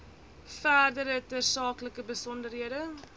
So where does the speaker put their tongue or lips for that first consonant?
lips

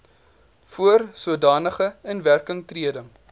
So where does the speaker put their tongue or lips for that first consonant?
lips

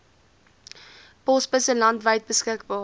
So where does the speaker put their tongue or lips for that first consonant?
lips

